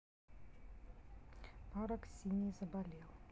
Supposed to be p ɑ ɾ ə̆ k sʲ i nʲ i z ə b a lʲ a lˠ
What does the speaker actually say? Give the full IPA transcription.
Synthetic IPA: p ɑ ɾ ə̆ k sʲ i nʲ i z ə b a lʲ e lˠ

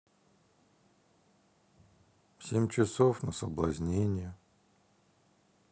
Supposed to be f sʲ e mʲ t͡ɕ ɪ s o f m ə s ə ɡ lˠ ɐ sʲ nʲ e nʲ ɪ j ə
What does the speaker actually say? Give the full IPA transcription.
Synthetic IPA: f sʲ e mʲ t͡ɕ ɪ s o f n ə s ə b lˠ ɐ zʲ nʲ e nʲ ɪ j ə

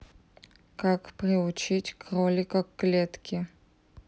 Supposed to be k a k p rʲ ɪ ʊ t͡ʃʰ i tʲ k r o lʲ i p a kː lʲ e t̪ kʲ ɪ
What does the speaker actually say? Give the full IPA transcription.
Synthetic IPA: k a k p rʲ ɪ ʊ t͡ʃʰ i tʲ k r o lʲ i k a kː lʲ e t̪ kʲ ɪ

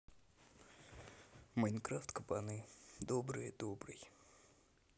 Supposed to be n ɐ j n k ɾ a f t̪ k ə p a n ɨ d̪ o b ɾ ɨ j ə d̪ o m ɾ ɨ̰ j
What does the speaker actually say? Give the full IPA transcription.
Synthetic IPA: m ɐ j n k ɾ a f t̪ k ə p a n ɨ d̪ o b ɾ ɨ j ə d̪ o b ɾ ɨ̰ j

